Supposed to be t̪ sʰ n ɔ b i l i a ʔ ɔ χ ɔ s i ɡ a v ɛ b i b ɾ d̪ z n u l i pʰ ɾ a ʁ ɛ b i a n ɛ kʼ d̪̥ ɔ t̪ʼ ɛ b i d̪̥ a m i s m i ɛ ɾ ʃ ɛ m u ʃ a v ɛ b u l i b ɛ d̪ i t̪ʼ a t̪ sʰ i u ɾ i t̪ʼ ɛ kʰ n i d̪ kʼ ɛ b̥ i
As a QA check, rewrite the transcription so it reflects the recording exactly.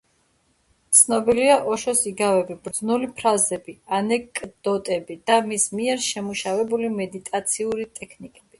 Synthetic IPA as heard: t̪ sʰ n ɔ b i l i a ʔ ɔ ʃ ɔ s i ɡ a v ɛ b i b ɾ d̪ z n u l i pʰ ɾ a z ɛ b i a n ɛ kʼ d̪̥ ɔ t̪ʼ ɛ b i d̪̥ a m i s m i ɛ ɾ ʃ ɛ m u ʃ a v ɛ b u l i m ɛ d̪ i t̪ʼ a t̪ sʰ i u ɾ i t̪ʼ ɛ kʰ n i kʼ ɛ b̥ i